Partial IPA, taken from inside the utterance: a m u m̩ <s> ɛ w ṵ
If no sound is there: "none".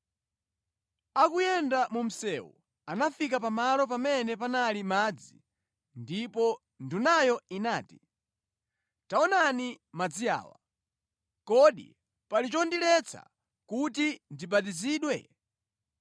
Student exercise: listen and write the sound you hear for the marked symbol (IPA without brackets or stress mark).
s